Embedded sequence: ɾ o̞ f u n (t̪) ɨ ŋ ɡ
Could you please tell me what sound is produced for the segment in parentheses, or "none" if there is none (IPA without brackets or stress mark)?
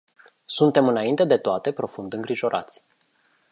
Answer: d̪